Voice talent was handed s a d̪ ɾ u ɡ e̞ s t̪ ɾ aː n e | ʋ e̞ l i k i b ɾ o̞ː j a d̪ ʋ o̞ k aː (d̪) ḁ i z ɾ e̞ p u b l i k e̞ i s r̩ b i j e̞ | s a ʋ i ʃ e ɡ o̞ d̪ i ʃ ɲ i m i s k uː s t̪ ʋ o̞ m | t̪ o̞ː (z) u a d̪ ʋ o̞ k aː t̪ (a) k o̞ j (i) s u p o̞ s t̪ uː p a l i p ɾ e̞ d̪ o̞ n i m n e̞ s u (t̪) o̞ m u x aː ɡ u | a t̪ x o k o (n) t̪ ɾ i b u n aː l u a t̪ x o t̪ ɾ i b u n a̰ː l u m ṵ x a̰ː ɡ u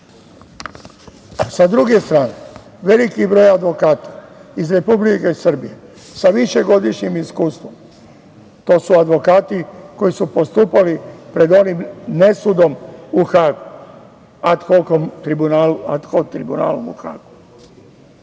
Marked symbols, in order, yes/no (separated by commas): no, no, no, yes, no, no